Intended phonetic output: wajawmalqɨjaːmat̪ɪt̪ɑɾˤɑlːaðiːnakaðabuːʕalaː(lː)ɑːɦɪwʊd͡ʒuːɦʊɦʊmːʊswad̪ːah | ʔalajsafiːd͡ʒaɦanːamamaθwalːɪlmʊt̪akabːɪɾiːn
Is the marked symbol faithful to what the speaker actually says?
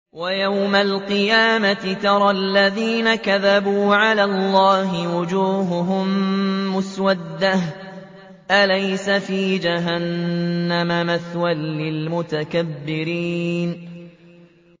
yes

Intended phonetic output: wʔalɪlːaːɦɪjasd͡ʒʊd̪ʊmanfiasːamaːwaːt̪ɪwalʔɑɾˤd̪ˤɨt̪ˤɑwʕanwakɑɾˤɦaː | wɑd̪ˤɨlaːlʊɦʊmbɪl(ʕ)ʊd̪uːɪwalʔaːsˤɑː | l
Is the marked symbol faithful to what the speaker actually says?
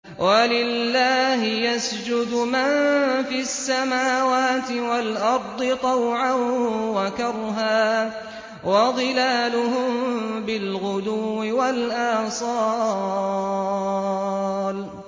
no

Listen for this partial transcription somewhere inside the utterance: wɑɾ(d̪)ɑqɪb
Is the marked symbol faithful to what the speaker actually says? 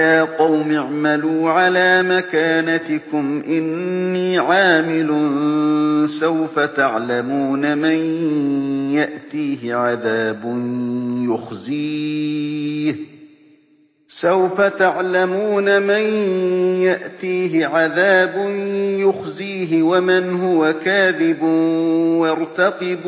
no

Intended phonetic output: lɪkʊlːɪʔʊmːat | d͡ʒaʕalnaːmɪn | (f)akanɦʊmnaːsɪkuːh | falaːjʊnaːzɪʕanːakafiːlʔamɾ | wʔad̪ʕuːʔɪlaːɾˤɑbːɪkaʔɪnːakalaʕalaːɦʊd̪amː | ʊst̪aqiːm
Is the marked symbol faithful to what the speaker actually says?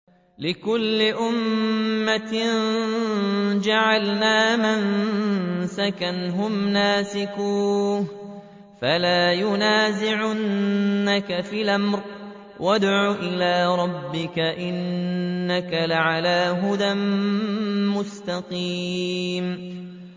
no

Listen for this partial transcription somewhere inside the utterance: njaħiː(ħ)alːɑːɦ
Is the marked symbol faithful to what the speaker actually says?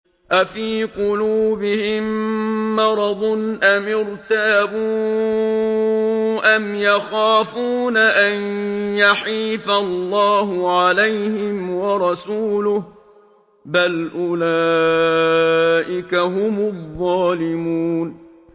no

